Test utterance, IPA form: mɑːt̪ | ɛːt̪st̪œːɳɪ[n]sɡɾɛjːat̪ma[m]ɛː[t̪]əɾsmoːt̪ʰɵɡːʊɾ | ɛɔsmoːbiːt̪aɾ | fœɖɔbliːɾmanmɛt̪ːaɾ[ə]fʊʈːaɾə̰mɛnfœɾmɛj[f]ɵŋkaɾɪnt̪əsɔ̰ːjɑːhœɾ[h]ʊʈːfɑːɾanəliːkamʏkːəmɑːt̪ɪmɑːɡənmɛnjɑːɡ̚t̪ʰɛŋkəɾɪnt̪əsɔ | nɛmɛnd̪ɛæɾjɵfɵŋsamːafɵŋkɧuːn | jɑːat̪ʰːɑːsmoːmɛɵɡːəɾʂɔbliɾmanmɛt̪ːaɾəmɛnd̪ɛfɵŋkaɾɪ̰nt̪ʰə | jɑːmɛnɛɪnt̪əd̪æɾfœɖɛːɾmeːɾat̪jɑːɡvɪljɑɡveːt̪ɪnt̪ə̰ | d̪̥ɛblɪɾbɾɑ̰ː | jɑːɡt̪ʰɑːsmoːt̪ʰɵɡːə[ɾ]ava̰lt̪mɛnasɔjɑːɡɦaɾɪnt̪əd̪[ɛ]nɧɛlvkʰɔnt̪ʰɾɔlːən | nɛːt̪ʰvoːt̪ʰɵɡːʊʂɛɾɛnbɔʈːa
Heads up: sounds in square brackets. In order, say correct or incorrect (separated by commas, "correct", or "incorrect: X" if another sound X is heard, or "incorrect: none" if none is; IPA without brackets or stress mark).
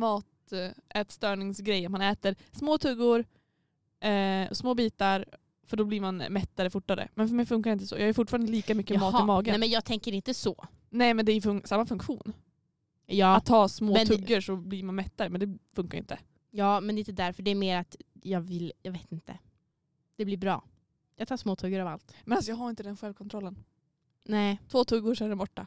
incorrect: ŋ, incorrect: n, correct, correct, correct, incorrect: f, correct, correct